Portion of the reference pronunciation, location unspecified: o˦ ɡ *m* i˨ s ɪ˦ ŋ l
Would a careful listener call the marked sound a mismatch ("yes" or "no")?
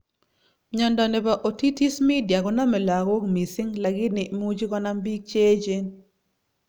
no